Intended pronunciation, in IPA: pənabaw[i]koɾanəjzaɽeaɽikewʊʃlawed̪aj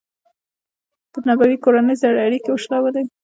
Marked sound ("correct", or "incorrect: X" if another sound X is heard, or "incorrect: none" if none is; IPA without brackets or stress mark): correct